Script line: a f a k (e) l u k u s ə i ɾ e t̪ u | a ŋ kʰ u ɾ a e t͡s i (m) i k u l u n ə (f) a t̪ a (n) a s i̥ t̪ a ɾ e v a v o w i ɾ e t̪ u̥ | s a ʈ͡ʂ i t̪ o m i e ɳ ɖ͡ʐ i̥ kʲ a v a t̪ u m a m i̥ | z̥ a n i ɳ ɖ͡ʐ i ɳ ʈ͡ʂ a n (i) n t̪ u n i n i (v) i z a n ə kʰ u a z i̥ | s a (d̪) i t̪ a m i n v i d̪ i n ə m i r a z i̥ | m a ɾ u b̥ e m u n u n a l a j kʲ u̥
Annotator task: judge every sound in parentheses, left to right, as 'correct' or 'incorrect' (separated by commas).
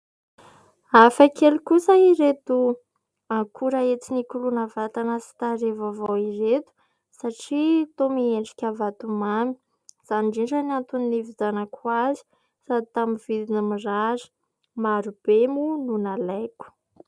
correct, incorrect, incorrect, correct, incorrect, correct, correct